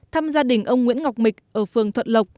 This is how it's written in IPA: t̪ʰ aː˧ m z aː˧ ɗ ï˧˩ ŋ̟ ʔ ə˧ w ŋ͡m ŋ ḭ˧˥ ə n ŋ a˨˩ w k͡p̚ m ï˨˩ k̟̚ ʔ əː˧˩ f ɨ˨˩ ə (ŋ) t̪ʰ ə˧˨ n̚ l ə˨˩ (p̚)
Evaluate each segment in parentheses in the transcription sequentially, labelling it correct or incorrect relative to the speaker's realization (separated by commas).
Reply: correct, incorrect